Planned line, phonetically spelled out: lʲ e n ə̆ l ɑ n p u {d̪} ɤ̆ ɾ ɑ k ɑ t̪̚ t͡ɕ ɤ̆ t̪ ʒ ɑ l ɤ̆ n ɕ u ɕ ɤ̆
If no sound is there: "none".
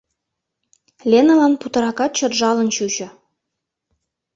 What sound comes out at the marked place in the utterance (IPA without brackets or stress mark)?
t̪